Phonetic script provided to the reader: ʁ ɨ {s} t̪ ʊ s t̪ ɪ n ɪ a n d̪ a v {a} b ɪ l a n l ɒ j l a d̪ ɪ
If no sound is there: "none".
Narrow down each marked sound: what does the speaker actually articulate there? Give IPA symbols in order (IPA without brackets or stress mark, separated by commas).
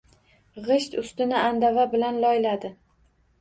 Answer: ʃ, a